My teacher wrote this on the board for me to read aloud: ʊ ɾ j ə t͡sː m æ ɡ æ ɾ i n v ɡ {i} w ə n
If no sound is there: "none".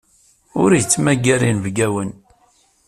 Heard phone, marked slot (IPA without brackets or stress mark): æ